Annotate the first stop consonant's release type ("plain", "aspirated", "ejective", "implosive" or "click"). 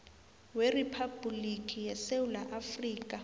aspirated